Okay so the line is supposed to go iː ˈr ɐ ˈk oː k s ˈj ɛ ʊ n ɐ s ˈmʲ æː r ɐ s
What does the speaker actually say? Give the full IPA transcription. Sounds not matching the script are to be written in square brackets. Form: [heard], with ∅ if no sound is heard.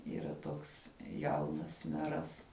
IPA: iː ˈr ɐ [ˈt] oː k s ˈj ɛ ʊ n ɐ s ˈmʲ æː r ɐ s